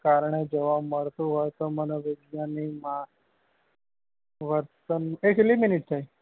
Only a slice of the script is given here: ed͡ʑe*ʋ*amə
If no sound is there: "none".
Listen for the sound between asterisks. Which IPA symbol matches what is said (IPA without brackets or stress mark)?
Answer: ʋ